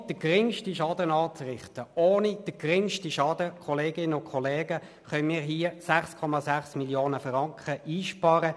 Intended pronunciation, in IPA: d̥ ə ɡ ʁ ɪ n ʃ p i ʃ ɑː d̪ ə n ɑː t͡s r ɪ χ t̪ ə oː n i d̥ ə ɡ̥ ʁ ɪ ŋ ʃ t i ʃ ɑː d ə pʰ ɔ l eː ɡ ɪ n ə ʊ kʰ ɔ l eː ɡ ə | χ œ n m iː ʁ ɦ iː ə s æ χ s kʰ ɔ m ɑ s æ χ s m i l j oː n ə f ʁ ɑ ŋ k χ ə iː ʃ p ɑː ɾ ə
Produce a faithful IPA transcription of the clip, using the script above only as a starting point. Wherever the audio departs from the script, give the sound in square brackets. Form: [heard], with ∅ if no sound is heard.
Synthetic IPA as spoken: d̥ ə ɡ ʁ ɪ [ŋ] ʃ [t] i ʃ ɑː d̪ ə n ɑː t͡s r ɪ χ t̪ ə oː n i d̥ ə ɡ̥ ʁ ɪ ŋ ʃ t i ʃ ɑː d ə [kʰ] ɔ l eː ɡ ɪ n ə ʊ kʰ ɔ l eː ɡ ə | χ œ n m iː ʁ ɦ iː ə s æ χ s kʰ ɔ m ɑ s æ χ s m i l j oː n ə f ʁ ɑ ŋ k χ ə iː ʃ p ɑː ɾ ə